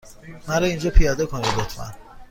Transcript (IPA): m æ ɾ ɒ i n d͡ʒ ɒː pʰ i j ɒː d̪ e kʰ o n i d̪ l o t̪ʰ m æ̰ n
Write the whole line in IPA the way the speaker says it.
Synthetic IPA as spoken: m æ ɾ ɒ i n d͡ʒ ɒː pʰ i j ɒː d̪ e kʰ o n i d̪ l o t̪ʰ m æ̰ n